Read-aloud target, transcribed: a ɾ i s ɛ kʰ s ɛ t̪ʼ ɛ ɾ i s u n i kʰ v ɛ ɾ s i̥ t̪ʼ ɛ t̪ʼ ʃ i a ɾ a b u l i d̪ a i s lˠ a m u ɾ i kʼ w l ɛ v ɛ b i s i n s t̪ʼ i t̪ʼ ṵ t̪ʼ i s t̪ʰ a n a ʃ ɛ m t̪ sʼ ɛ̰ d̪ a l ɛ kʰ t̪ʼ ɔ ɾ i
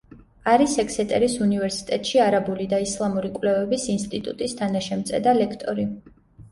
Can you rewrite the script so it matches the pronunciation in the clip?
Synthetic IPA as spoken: a ɾ i s ɛ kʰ s ɛ t̪ʼ ɛ ɾ i s u n i v ɛ ɾ s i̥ t̪ʼ ɛ t̪ʼ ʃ i a ɾ a b u l i d̪ a i s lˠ a m u ɾ i kʼ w l ɛ v ɛ b i s i n s t̪ʼ i t̪ʼ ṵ t̪ʼ i s t̪ʰ a n a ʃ ɛ m t̪ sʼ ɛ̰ d̪ a l ɛ kʰ t̪ʼ ɔ ɾ i

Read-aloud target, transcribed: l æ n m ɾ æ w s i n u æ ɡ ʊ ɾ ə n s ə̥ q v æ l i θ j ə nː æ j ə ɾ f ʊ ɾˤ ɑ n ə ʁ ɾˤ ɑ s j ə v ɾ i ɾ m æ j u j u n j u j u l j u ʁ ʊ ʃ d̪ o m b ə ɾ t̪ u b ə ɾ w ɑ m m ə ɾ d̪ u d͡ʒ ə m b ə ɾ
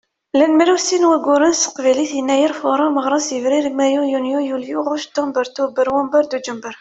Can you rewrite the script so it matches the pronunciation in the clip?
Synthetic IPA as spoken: l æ n m ɾ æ w s i n w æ ɡ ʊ ɾ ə n s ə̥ q v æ l i θ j ə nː æ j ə ɾ f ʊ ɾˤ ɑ m ə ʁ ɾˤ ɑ s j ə v ɾ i ɾ m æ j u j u n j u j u l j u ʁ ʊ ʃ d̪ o m b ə ɾ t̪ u b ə ɾ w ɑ m b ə ɾ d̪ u d͡ʒ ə m b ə ɾ

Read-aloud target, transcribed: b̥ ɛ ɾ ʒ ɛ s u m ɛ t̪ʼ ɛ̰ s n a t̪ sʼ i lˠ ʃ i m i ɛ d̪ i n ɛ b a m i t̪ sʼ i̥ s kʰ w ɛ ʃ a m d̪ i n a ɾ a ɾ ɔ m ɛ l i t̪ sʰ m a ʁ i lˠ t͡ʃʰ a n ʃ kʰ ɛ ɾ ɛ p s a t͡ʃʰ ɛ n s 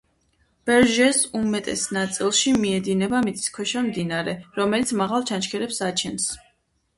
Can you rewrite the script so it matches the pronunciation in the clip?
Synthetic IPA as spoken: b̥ ɛ ɾ ʒ ɛ s u m ɛ t̪ʼ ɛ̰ s n a t̪ sʼ i lˠ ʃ i m i ɛ d̪ i n ɛ b a m i t̪ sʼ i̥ s kʰ w ɛ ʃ a m d̪ i n a ɾ ɛ ɾ ɔ m ɛ l i t̪ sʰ m a ʁ a lˠ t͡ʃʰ a n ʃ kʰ ɛ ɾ ɛ p s a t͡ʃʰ ɛ n s

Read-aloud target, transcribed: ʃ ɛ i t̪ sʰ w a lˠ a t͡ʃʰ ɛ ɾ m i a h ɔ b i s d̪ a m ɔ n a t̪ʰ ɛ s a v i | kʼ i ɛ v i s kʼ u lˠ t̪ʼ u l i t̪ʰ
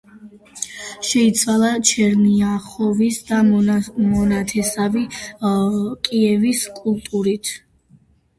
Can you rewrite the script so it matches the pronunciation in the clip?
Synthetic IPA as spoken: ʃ ɛ i t̪ sʰ w a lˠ a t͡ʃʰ ɛ ɾ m i a χ ɔ v i s d̪ a m ɔ n a t̪ʰ ɛ s a v i | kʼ i ɛ v i s kʼ u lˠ t̪ʼ u ɾ i t̪ʰ

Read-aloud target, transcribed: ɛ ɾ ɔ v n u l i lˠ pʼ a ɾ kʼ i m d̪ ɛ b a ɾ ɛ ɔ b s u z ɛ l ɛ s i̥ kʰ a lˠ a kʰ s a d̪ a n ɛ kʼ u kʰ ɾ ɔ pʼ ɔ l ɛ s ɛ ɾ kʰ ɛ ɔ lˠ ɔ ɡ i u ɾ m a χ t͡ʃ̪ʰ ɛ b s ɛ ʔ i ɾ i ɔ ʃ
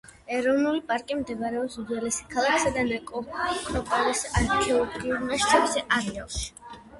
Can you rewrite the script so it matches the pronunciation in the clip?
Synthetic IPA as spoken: ɛ ɾ ɔ v n u l i pʼ a ɾ kʼ i m d̪ ɛ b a ɾ ɛ ɔ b s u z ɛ l ɛ s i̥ kʰ a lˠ a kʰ s a d̪ a n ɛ kʼ ɔ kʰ ɾ ɔ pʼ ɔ l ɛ s a ɾ kʰ ɛ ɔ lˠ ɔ ɡ i u ɾ m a ʃ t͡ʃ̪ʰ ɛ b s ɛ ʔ a ɾ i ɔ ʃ

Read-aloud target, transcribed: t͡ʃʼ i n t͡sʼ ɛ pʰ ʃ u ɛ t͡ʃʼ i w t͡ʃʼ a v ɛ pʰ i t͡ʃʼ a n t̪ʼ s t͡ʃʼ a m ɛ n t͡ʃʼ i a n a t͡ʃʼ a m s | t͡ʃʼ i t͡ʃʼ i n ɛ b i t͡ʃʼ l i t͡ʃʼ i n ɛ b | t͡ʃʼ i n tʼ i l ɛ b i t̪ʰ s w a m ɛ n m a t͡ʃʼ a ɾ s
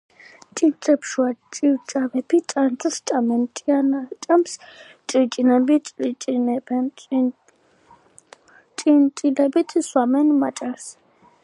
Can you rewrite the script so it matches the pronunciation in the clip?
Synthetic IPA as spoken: t͡ʃʼ i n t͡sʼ ɛ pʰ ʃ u a t͡ʃʼ i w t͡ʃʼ a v ɛ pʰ i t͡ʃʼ a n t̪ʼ s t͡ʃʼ a m ɛ n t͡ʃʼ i a n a t͡ʃʼ a m s | t͡ʃʼ i t͡ʃʼ i n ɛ b i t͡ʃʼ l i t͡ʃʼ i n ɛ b | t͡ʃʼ i n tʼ i l ɛ b i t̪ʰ s w a m ɛ n m a t͡ʃʼ a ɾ s

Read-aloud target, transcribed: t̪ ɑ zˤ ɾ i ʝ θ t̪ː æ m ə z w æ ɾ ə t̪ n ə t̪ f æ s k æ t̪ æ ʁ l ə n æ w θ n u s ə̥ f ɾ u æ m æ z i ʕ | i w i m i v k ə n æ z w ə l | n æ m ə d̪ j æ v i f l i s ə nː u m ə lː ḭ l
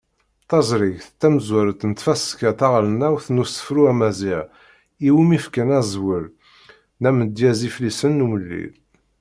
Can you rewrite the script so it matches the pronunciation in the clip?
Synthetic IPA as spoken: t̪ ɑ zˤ ɾ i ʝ θ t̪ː æ m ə z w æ ɾ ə t̪ n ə t̪ f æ s k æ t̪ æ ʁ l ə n æ w θ n u s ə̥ f ɾ u æ m æ z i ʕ | i w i m i f k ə n æ z w ə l | n æ m ə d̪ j æ z i f l i s ə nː u m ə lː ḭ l

